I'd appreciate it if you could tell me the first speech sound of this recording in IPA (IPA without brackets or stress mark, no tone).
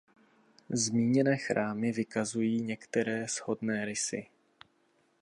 z